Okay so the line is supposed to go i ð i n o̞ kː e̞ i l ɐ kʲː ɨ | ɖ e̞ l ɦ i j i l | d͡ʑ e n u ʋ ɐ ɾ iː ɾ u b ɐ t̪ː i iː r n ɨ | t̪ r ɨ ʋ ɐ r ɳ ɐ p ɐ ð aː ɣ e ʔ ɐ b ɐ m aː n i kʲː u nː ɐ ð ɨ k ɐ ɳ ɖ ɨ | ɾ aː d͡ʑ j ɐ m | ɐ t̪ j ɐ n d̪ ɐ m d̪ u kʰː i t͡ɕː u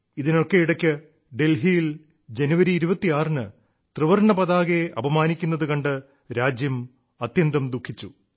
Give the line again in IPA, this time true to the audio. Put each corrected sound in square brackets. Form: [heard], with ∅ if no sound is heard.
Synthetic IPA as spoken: i ð i n o̞ kː e̞ i [ɽ] ɐ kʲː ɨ | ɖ e̞ l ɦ i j i l | d͡ʑ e n u ʋ ɐ ɾ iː ɾ u b ɐ t̪ː i [aː] r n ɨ | t̪ r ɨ ʋ ɐ r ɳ ɐ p ɐ ð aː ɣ e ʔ ɐ b ɐ m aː n i kʲː u nː ɐ ð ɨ k ɐ ɳ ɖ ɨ | ɾ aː d͡ʑ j ɐ m | ɐ t̪ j ɐ n d̪ ɐ m d̪ u kʰː i t͡ɕː u